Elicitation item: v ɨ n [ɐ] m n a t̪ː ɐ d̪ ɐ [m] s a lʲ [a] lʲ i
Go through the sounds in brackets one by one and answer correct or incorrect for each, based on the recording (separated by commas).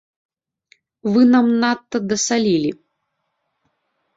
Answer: incorrect, incorrect, incorrect